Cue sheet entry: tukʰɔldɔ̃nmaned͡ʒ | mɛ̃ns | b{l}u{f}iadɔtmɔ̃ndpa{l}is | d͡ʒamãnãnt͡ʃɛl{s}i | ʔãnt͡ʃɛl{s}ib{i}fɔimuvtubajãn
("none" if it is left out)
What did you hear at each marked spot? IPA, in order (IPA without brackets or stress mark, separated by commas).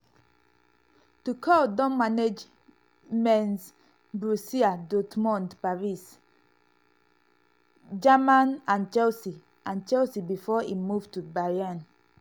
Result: ɹ, s, ɹ, s, s, i